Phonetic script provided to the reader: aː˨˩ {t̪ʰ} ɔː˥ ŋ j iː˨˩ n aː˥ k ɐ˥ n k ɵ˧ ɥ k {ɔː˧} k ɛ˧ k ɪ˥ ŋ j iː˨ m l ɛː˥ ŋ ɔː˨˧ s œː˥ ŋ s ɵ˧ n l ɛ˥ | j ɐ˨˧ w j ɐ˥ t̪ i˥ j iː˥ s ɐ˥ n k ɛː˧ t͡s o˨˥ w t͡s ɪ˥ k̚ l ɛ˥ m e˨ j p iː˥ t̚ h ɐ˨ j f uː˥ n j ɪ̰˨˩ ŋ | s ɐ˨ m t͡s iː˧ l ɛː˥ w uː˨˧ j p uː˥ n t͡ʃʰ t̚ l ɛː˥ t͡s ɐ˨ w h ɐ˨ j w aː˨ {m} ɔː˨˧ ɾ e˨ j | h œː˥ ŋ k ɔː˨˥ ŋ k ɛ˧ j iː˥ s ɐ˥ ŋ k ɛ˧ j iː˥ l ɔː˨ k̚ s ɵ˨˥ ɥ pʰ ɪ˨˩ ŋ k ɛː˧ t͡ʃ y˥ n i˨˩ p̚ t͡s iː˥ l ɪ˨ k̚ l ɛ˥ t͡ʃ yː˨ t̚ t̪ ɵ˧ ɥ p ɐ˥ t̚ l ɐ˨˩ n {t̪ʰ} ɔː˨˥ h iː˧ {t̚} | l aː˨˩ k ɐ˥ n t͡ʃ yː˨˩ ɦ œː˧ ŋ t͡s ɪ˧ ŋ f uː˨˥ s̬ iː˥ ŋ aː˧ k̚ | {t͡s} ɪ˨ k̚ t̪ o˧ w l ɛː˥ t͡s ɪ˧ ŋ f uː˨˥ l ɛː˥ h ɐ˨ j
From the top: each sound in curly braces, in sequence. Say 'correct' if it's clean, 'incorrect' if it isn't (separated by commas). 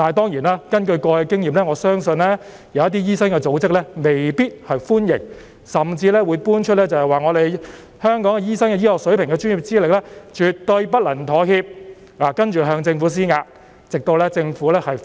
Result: incorrect, correct, incorrect, correct, incorrect, correct